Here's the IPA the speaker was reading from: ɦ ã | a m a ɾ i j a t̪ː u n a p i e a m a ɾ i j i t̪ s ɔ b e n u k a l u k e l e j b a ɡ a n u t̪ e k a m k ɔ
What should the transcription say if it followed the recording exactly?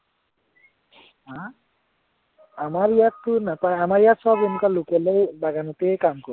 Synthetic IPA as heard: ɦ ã | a m a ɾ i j a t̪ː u n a p a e a m a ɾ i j a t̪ s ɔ b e n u k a l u k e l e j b a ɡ a n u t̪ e k a m k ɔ